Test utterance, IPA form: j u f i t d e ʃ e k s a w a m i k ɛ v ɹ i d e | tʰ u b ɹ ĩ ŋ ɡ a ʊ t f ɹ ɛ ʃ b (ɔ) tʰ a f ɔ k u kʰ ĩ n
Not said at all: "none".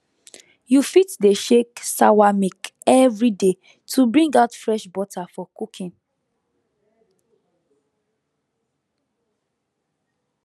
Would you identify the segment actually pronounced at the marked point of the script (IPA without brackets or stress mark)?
ɔ